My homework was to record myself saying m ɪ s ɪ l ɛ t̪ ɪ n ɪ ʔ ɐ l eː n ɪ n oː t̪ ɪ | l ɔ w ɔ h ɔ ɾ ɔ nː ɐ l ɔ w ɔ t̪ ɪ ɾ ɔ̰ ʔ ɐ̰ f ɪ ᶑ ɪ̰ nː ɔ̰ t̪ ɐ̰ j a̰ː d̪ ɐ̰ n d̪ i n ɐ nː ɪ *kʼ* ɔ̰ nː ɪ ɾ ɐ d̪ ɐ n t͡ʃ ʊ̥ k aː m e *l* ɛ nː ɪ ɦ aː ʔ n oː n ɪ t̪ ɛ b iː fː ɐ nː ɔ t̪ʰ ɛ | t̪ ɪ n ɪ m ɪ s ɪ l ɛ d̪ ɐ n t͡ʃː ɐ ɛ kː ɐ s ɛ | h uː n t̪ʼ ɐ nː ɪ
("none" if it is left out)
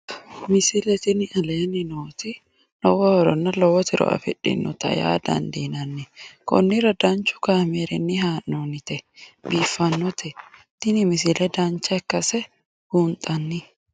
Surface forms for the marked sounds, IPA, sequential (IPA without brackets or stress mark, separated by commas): k, ɾ